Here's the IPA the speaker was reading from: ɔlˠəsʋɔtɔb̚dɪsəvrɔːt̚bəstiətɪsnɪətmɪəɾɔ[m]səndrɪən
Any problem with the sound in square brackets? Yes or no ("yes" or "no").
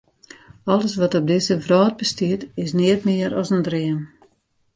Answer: yes